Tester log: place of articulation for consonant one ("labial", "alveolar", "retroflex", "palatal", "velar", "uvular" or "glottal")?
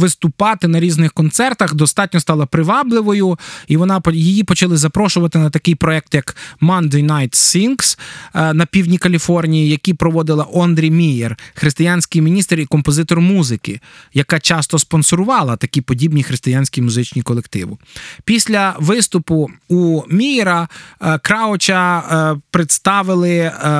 labial